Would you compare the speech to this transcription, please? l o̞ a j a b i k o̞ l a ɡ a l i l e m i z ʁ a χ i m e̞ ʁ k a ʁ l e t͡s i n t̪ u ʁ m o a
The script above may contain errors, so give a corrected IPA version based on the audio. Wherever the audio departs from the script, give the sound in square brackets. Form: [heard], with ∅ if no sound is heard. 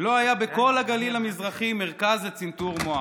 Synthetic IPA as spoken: l o̞ a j a b [e] k o̞ l a ɡ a l i l [a] m i z ʁ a χ i m e̞ ʁ k a [z] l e t͡s i n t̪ u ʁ m o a